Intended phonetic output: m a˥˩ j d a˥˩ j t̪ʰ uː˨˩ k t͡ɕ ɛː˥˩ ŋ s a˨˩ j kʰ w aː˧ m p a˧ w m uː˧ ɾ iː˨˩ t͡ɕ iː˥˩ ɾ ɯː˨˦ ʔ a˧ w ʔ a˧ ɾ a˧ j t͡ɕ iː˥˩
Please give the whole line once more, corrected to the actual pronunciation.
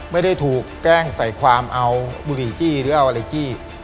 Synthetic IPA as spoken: m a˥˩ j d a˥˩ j t̪ʰ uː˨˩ k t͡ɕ ɛː˥˩ ŋ s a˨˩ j kʰ w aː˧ m ʔ a˧ w b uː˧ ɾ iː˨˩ t͡ɕ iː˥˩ ɾ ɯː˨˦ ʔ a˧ w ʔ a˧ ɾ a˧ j t͡ɕ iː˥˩